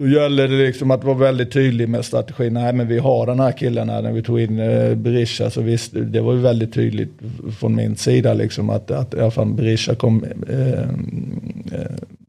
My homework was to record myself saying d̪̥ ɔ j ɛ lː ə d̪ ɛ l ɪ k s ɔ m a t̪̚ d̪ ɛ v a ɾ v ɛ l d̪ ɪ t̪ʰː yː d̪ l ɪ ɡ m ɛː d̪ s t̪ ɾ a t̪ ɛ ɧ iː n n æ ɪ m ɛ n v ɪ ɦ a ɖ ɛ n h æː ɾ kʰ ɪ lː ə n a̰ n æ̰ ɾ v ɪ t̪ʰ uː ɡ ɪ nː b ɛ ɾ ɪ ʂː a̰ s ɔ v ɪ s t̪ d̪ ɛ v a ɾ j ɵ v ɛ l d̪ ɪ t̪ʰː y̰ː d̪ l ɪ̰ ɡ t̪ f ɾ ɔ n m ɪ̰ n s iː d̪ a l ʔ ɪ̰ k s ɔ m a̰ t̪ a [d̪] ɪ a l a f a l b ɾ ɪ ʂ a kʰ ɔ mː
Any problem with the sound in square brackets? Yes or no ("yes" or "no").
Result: yes